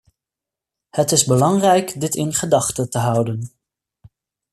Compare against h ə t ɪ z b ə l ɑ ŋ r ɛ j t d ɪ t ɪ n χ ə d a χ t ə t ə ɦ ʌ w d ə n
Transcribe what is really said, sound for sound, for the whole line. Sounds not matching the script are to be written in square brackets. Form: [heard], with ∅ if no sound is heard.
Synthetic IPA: h ə t ɪ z b ə l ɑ ŋ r ɛ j [k] d ɪ t ɪ n χ ə d [ɑ] χ t ə t ə ɦ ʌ w d ə n